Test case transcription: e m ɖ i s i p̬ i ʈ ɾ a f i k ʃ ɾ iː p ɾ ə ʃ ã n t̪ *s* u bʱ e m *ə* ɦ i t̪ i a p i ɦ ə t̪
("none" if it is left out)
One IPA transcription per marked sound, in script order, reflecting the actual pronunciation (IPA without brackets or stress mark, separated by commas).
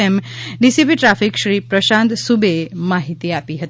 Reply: s, a